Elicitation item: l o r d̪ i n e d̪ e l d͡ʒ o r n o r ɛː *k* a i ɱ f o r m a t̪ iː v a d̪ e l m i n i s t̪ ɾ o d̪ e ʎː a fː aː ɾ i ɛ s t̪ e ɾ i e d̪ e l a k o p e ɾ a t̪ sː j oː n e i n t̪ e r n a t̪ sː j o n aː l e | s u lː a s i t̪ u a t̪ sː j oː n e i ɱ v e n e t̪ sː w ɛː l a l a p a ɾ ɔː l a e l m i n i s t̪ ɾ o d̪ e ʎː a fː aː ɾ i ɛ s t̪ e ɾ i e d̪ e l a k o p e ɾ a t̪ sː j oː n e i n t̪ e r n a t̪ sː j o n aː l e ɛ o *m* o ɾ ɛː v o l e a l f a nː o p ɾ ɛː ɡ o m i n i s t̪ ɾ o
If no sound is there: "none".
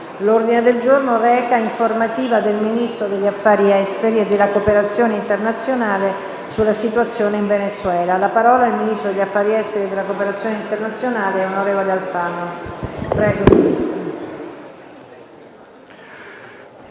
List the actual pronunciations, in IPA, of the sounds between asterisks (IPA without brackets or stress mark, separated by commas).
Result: k, n